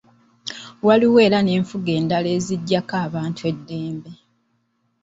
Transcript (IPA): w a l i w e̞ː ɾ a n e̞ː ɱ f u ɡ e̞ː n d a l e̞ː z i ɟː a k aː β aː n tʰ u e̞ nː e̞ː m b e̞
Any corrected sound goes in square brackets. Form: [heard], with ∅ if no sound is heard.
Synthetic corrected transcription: w a l i w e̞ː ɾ a n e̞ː ɱ f u ɡ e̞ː n d a l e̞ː z i ɟː a k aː β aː n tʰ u e̞ [dː] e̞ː m b e̞